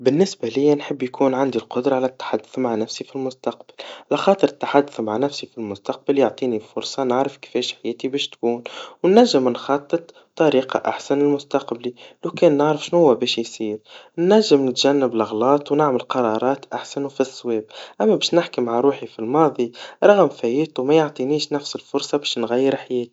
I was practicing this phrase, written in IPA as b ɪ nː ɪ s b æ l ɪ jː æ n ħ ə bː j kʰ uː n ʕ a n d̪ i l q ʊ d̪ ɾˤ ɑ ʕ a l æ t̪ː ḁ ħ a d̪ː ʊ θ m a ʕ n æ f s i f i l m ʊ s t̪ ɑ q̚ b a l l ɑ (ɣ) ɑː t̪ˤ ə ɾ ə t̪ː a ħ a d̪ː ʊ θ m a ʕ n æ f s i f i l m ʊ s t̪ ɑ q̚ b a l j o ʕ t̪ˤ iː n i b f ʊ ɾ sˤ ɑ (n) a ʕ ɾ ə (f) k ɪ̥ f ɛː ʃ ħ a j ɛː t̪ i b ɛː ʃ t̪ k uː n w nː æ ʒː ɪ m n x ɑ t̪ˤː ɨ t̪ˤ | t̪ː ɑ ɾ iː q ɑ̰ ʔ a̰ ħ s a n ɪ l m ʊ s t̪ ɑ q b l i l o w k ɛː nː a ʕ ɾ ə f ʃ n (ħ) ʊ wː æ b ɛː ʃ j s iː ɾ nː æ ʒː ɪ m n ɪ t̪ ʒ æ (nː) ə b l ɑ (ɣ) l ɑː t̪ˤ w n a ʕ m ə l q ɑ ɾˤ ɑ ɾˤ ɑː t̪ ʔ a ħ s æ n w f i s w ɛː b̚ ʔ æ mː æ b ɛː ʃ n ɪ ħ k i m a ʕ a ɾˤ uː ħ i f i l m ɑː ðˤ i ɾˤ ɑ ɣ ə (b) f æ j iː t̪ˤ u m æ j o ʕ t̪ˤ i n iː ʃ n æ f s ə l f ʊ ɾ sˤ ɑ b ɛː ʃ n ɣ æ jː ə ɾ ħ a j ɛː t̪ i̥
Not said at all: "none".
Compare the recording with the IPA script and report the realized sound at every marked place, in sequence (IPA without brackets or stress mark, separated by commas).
x, n, f, h, nː, ɣ, m